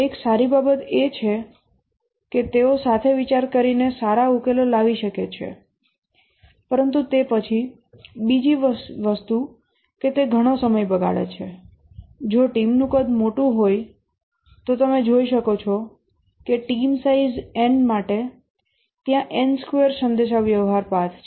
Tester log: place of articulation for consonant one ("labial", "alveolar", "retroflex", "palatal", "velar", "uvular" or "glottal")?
velar